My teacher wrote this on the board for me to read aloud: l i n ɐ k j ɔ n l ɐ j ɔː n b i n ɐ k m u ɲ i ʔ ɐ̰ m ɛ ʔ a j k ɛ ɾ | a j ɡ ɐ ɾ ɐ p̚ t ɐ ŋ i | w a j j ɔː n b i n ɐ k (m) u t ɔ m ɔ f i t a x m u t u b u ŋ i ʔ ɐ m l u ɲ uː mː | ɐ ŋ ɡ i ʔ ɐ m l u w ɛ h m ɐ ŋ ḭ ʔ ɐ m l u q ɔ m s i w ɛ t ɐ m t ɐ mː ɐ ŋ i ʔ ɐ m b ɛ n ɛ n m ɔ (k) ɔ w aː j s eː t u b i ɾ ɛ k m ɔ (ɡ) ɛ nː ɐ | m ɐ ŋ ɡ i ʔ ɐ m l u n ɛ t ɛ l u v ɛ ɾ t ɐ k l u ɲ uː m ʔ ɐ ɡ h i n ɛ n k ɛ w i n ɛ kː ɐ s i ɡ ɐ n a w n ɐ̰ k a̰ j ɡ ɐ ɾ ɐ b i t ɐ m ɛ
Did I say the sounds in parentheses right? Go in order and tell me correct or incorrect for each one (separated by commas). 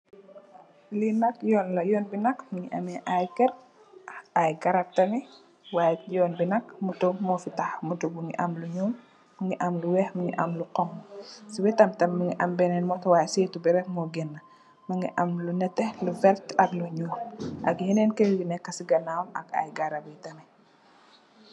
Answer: correct, incorrect, correct